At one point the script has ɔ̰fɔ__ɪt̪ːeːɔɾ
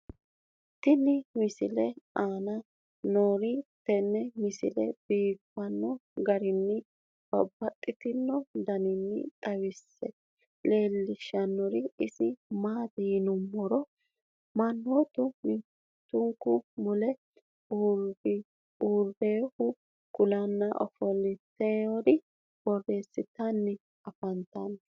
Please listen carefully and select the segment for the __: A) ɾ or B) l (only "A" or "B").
B